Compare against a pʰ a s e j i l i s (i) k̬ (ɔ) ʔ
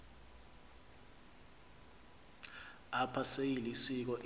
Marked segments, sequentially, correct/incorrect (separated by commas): correct, correct